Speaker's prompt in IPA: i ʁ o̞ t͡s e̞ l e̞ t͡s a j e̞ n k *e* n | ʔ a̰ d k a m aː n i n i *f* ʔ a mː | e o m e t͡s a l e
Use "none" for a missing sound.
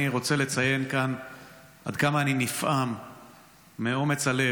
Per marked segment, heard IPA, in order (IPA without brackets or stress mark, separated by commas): a, f